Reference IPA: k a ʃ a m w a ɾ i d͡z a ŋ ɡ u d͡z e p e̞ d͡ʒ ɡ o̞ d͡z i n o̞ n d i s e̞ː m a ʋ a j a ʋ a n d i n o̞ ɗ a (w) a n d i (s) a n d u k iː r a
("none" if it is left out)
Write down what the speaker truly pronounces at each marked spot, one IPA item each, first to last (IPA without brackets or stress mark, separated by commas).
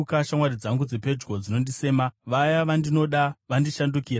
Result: ʋ, ʃ